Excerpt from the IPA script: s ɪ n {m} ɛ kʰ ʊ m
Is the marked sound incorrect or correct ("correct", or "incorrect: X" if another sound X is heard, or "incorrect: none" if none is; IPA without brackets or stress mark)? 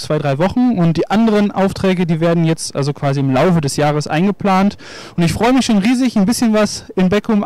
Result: incorrect: b